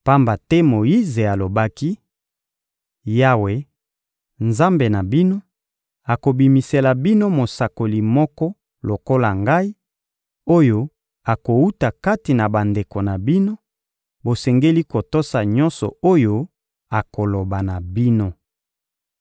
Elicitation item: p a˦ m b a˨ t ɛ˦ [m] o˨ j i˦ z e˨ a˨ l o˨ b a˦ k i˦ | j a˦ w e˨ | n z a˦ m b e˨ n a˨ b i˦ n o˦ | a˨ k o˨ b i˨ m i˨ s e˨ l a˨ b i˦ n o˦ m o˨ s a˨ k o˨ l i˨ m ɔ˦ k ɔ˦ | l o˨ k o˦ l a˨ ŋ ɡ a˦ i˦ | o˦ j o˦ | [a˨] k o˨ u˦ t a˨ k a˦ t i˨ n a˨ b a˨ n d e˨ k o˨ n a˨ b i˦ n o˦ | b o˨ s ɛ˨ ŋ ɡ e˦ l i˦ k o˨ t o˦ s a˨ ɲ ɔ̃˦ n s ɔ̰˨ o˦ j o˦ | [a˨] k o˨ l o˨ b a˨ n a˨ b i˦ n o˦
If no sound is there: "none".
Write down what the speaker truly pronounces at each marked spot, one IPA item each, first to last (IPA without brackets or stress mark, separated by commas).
m, a˨, a˨